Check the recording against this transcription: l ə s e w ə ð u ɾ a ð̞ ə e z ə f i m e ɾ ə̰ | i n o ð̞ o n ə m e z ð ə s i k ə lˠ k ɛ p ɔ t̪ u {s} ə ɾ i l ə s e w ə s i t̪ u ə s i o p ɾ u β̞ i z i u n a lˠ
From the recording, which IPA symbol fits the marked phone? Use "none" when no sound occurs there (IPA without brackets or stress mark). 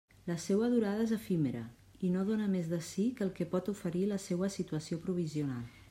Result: f